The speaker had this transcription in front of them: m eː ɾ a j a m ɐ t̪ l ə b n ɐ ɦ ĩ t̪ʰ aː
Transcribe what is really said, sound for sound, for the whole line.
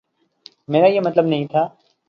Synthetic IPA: m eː ɾ a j e m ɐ t̪ l ə b n ɐ ɦ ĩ t̪ʰ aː